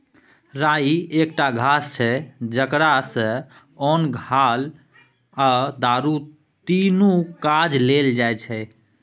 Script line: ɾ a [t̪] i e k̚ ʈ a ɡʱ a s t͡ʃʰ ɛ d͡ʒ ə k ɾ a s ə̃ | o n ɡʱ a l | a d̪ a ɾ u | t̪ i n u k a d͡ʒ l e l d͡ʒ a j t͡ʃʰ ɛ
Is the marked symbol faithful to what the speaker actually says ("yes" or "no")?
no